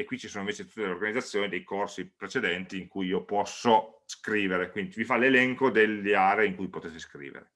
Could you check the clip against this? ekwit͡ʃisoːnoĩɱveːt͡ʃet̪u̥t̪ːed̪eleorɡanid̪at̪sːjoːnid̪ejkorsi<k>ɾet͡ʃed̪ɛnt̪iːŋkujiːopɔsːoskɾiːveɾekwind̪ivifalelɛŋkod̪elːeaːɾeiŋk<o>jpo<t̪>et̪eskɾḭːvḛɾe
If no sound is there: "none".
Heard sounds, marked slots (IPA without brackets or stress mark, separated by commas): p, u, t̪